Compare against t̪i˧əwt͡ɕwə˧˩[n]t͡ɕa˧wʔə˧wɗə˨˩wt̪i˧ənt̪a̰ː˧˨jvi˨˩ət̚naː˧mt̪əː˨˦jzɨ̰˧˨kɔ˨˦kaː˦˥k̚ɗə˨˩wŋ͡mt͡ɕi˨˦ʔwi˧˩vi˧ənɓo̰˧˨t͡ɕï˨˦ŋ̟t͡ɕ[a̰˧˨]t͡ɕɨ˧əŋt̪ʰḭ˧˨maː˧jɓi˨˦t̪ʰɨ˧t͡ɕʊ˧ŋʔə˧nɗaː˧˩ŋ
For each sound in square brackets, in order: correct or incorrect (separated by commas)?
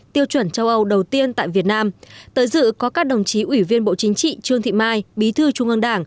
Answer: correct, incorrect